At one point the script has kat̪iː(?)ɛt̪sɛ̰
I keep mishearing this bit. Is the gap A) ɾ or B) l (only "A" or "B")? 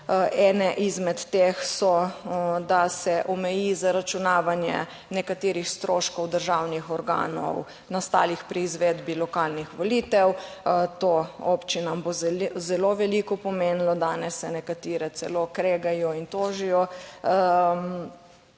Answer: A